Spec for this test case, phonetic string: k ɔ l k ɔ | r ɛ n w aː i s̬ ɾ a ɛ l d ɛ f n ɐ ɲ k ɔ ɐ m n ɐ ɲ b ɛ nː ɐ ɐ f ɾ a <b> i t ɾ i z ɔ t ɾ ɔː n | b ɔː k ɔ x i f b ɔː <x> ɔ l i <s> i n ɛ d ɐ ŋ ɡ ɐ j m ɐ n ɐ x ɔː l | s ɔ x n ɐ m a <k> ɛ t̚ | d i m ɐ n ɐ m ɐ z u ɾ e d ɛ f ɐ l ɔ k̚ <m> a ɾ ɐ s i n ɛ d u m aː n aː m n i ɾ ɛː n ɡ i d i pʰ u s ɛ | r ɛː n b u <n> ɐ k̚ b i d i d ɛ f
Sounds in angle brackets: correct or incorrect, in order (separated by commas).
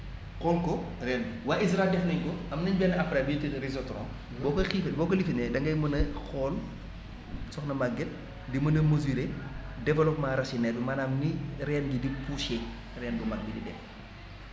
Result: correct, incorrect, incorrect, incorrect, correct, incorrect